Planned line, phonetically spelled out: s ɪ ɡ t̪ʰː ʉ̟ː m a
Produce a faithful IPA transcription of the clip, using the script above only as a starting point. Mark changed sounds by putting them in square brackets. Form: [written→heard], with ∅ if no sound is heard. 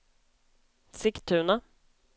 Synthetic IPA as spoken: s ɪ [ɡ→k] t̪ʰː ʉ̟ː [m→n] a